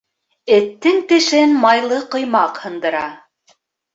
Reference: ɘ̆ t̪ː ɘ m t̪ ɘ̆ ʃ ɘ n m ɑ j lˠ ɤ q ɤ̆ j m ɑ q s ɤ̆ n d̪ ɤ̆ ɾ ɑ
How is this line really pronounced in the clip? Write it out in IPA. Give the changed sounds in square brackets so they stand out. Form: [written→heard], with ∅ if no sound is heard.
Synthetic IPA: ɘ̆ t̪ː ɘ [m→ŋ] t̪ ɘ̆ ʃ ɘ n m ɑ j lˠ ɤ q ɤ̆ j m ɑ q [s→h] ɤ̆ n d̪ ɤ̆ ɾ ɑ

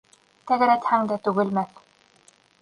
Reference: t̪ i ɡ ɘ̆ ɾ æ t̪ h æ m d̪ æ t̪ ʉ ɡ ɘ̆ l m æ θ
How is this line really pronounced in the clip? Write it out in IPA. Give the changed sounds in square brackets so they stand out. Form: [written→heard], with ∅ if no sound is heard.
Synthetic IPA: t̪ [i→æ] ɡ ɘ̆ ɾ æ t̪ h æ [m→ŋ] d̪ æ t̪ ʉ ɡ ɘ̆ l m æ θ

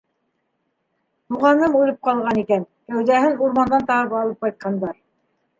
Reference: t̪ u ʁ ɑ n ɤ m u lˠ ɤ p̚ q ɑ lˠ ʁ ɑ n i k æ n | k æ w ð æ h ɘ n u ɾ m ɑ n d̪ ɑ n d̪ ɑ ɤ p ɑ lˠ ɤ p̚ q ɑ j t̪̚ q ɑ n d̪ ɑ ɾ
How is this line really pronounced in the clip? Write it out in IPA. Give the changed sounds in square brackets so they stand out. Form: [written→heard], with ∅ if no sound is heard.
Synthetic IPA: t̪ u ʁ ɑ n ɤ m u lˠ ɤ p̚ q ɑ lˠ ʁ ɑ n i k æ n | k æ w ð æ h ɘ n u ɾ m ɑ n d̪ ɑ n [d̪→t̪] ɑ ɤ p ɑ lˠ ɤ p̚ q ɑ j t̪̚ q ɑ n d̪ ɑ ɾ

